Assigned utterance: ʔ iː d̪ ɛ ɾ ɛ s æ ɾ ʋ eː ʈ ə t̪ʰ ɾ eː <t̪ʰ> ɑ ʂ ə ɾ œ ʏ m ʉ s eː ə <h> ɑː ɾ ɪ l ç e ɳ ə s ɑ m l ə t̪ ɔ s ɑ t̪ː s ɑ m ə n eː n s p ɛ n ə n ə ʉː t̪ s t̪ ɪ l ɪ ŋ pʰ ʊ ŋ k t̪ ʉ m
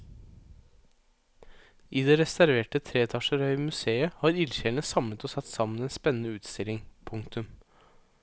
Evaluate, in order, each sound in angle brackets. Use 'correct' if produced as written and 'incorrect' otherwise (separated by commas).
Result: correct, correct